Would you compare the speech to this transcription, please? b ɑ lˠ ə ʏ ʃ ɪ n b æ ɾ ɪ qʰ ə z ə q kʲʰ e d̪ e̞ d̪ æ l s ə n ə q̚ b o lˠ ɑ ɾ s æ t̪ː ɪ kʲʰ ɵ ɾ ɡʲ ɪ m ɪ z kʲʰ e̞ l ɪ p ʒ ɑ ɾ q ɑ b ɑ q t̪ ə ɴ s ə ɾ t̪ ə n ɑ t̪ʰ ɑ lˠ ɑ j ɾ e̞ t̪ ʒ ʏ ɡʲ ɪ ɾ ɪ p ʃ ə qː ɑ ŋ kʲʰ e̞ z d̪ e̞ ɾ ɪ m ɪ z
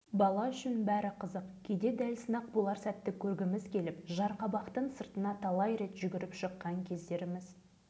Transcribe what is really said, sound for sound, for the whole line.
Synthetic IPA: b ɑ lˠ ɑ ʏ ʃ ɪ n b æ ɾ ɪ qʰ ə z ə q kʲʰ e d̪ e̞ d̪ æ l s ə n ɑ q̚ b o lˠ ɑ ɾ s æ t̪ː ɪ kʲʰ ɵ ɾ ɡʲ ɪ m ɪ z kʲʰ e̞ l ɪ p ʒ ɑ ɾ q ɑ b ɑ q t̪ ə ɴ s ə ɾ t̪ ə n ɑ t̪ʰ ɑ lˠ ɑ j ɾ e̞ t̪ ʒ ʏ ɡʲ ɪ ɾ ɪ p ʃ ə qː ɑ ŋ kʲʰ e̞ z d̪ e̞ ɾ ɪ m ɪ z